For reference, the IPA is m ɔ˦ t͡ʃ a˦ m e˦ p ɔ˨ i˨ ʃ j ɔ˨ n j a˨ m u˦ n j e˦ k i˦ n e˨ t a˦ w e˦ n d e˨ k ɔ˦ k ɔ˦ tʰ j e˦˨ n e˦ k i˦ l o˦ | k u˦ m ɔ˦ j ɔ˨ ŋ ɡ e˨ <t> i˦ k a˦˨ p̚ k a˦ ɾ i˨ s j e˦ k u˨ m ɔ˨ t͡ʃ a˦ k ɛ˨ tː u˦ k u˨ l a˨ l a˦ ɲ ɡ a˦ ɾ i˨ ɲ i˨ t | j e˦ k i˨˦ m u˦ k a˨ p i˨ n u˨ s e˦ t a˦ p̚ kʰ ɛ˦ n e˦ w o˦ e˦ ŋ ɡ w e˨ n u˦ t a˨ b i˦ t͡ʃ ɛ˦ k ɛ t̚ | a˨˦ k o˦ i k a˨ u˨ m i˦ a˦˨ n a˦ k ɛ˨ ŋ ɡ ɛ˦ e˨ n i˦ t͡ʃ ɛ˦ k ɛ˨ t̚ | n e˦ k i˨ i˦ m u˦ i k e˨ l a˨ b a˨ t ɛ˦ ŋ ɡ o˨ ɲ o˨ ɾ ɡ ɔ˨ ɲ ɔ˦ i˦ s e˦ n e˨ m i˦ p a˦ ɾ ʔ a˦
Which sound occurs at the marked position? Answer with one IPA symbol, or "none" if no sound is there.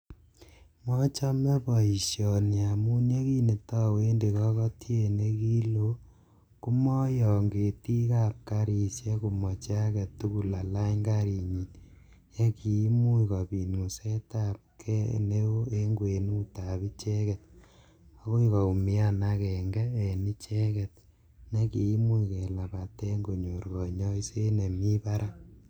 t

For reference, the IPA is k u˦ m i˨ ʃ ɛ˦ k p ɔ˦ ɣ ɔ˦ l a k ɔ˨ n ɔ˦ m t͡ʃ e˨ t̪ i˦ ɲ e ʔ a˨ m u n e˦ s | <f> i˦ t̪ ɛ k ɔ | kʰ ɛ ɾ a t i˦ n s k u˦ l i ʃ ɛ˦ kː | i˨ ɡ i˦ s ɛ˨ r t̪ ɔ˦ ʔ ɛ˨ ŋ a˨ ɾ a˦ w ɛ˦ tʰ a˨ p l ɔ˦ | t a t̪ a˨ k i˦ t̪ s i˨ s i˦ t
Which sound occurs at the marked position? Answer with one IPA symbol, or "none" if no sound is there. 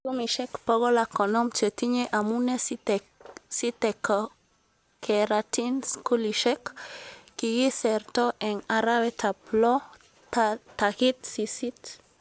s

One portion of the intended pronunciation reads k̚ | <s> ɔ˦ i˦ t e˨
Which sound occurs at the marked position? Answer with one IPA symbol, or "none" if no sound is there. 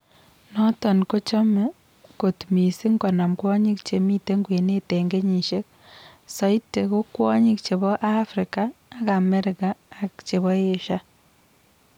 s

